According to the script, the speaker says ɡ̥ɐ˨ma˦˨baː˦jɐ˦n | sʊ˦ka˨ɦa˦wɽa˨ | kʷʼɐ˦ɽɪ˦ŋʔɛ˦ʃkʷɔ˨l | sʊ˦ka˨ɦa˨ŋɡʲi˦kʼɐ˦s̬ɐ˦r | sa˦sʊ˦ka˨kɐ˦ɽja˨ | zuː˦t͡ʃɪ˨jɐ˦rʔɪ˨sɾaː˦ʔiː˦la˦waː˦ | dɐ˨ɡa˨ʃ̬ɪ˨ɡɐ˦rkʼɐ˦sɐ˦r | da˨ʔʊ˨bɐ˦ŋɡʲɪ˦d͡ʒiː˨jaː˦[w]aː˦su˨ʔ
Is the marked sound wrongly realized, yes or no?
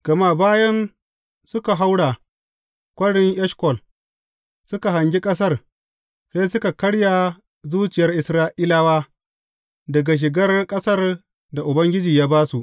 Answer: yes